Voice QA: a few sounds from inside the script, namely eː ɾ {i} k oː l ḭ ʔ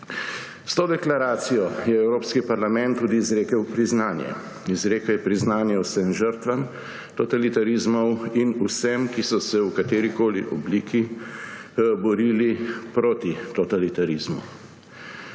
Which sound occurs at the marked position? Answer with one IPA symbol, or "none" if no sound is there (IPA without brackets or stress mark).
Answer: i